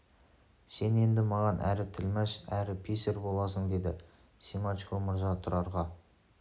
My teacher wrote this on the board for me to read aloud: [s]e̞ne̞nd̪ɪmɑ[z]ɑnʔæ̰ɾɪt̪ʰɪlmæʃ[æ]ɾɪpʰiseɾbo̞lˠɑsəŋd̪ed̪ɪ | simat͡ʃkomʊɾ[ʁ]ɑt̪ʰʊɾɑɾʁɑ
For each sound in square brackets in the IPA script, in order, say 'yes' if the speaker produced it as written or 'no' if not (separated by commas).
yes, no, yes, no